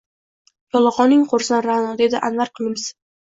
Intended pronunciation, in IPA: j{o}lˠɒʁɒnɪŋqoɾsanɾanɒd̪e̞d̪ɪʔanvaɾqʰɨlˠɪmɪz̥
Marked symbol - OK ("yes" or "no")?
no